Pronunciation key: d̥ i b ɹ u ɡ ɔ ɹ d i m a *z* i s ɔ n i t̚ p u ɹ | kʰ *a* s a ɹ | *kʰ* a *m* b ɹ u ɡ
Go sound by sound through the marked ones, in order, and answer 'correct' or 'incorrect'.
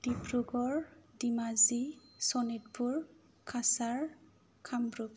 correct, correct, correct, correct

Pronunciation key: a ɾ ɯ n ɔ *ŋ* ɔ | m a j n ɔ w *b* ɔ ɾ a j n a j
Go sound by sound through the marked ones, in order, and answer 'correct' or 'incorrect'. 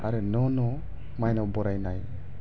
incorrect, correct

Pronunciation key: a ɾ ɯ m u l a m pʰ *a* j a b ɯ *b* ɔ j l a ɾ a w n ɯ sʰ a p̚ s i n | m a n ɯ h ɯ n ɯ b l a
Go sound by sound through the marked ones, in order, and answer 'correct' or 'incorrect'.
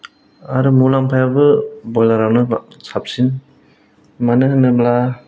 correct, correct

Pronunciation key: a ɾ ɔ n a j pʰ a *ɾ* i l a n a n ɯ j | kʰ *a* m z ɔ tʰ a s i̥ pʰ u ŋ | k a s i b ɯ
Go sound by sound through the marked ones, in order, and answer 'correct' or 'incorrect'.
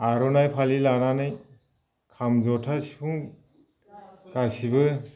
incorrect, correct

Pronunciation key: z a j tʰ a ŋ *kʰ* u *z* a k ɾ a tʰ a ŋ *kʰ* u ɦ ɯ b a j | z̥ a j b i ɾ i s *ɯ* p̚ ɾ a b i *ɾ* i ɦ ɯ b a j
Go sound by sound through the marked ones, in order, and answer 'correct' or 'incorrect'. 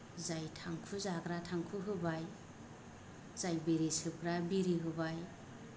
correct, correct, correct, correct, correct

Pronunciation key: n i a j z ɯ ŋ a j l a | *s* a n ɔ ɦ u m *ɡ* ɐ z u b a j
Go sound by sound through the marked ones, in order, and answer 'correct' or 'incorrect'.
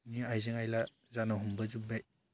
incorrect, incorrect

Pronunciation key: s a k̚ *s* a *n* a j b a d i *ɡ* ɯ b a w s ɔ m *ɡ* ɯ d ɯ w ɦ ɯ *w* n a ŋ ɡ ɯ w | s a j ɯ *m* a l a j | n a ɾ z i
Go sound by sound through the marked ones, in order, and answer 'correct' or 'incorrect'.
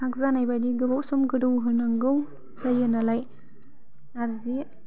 incorrect, correct, correct, correct, incorrect, incorrect

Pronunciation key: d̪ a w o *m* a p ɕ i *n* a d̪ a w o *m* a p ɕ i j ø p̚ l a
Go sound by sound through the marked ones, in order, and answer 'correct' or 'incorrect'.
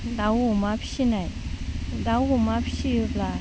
correct, correct, correct

